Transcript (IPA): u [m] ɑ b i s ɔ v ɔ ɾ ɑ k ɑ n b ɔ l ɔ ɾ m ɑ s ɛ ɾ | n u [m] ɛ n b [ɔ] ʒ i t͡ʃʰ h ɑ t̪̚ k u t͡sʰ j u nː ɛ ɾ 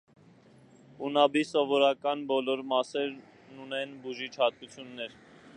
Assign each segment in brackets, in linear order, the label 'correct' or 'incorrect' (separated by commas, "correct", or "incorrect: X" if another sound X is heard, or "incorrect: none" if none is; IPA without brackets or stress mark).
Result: incorrect: n, incorrect: n, incorrect: u